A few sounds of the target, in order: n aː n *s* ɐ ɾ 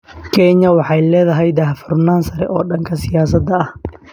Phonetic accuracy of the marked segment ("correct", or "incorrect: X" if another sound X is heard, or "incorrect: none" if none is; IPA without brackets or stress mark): correct